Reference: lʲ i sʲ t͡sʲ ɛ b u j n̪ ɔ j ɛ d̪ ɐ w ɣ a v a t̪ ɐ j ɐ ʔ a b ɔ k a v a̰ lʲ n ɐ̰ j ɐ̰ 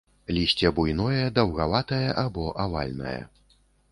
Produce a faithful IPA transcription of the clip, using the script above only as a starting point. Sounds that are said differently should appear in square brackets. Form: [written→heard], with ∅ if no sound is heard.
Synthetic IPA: lʲ i sʲ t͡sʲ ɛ b u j n̪ ɔ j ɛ d̪ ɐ w ɣ a v a t̪ ɐ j ɐ ʔ a b ɔ [k→ʔ] a v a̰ lʲ n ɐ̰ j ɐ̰

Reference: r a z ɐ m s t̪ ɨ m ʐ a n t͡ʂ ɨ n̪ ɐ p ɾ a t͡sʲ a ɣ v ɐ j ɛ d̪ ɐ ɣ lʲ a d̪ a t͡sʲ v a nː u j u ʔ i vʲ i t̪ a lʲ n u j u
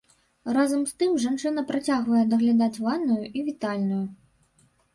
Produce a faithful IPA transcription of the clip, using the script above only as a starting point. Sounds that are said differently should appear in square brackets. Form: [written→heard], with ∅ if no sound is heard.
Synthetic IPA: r a z ɐ m s t̪ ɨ m ʐ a n t͡ʂ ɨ n̪ ɐ p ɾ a t͡sʲ a ɣ v ɐ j ɛ d̪ ɐ ɣ lʲ a d̪ a t͡sʲ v a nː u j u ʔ i vʲ i t̪ a lʲ n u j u

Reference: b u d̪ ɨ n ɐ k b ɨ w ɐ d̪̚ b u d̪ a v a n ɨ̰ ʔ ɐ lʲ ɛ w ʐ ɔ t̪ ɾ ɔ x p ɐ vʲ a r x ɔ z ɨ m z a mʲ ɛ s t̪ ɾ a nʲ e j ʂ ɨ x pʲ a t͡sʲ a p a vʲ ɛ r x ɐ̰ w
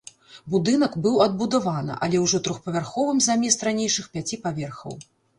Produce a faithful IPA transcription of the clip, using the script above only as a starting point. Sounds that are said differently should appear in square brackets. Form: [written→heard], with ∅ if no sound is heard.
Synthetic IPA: b u d̪ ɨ n ɐ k b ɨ w ɐ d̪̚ b u d̪ a v a n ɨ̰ ʔ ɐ lʲ ɛ w ʐ ɔ t̪ ɾ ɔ x p ɐ vʲ a r x ɔ [z→v] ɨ m z a mʲ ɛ s t̪ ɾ a nʲ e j ʂ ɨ x pʲ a t͡sʲ [a→i] p a vʲ ɛ r x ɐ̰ w

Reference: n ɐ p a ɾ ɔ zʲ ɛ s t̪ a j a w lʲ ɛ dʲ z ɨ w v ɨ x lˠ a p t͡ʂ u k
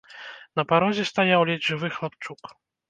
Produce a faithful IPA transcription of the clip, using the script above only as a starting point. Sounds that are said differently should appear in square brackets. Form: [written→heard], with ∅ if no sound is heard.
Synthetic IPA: n ɐ p a ɾ ɔ zʲ ɛ s t̪ a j a w lʲ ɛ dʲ [z→ʐ] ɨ [w→∅] v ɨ x lˠ a p t͡ʂ u k

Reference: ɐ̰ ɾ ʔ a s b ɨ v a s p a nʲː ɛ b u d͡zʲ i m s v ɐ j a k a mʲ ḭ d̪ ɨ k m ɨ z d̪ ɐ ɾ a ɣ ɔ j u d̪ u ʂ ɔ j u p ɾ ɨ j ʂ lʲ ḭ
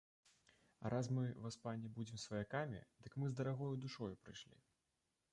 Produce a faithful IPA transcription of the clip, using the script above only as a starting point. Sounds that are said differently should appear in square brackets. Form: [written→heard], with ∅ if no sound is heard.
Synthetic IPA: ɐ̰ ɾ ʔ a s [b→m] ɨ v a s p a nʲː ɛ b u d͡zʲ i m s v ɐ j a k a mʲ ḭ d̪ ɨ k m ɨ z d̪ ɐ ɾ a ɣ ɔ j u d̪ u ʂ ɔ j u p ɾ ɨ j ʂ lʲ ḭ

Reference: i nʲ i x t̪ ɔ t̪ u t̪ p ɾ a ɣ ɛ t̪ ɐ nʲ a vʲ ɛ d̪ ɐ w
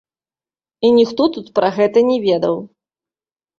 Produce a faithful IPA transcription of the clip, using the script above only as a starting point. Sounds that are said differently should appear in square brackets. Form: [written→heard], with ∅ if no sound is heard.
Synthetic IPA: i nʲ i x t̪ ɔ t̪ u t̪ p ɾ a ɣ ɛ t̪ ɐ nʲ [a→ɛ] vʲ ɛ d̪ ɐ w

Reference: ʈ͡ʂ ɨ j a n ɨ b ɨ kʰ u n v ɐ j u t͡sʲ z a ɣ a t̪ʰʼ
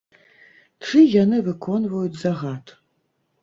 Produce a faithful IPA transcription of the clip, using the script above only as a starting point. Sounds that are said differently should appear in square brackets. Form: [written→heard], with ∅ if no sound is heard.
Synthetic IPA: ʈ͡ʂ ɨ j a n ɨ [b→v] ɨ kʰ [u→ɔ] n v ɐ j u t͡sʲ z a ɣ a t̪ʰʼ

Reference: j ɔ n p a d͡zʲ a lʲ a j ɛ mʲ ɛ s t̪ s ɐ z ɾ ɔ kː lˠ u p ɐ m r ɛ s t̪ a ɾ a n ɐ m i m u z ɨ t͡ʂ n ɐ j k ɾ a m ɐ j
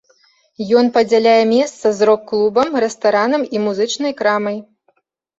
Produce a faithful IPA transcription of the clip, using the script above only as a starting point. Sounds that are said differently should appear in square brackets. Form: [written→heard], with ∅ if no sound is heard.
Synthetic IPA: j ɔ n p [a→ɐ] d͡zʲ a lʲ a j ɛ mʲ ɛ s t̪ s ɐ z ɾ ɔ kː lˠ u [p→b] ɐ m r ɛ s t̪ a ɾ a n ɐ m i m u z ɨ t͡ʂ n ɐ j k ɾ a m ɐ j

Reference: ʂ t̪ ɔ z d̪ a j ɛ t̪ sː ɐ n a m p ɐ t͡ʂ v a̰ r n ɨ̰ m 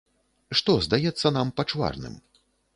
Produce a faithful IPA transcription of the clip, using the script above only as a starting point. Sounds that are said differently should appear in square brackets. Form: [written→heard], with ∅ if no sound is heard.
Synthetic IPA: ʂ t̪ ɔ z d̪ a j ɛ t̪ sː ɐ n a m p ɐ t͡ʂ v a̰ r n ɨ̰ m

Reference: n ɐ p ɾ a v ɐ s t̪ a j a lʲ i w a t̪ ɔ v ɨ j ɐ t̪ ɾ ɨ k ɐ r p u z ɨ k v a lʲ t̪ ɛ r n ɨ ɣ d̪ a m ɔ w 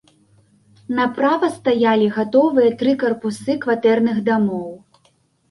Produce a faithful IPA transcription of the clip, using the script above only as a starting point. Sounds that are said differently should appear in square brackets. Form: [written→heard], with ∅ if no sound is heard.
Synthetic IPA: n ɐ p ɾ a v ɐ s t̪ a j a lʲ i [w→ɣ] a t̪ ɔ v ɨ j ɐ t̪ ɾ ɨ k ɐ r p u [z→s] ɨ k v a [lʲ→∅] t̪ ɛ r n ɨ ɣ d̪ a m ɔ w

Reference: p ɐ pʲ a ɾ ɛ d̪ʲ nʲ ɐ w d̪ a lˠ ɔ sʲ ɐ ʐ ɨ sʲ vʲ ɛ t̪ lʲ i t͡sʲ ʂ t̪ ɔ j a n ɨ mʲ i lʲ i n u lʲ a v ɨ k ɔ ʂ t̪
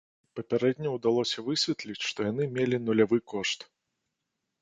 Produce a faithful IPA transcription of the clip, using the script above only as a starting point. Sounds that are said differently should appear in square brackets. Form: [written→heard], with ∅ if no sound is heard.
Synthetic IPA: p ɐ pʲ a ɾ ɛ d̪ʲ nʲ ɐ w d̪ a lˠ ɔ sʲ ɐ [ʐ→v] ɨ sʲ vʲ ɛ t̪ lʲ i t͡sʲ ʂ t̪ ɔ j a n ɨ mʲ [i→e] lʲ i n u lʲ a v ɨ k ɔ ʂ t̪

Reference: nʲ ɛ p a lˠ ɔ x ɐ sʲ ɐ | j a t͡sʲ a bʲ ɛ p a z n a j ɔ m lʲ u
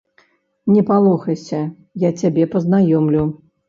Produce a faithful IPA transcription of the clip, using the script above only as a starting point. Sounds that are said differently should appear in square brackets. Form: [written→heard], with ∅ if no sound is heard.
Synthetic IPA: nʲ ɛ p a lˠ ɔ x ɐ sʲ ɐ | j a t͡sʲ a bʲ ɛ p [a→ɐ] z n a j ɔ m lʲ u

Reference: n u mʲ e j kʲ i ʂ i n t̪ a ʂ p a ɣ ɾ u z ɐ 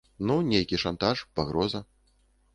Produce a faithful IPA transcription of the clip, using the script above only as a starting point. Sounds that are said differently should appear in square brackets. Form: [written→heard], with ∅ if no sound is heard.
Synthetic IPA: n u [mʲ→nʲ] e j kʲ i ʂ [i→a] n t̪ a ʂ p a ɣ ɾ [u→ɔ] z ɐ

